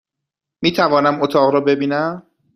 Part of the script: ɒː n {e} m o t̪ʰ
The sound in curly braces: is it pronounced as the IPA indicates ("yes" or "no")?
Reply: no